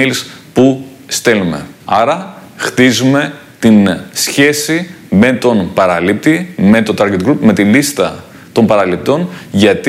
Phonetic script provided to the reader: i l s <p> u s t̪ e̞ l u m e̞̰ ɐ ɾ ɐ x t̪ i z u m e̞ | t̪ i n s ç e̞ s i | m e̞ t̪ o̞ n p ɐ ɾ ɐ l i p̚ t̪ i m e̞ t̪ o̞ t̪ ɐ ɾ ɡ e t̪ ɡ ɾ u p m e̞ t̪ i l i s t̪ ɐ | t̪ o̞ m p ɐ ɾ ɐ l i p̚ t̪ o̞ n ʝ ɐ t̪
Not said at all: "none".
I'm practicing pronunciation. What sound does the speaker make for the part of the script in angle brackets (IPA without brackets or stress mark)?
p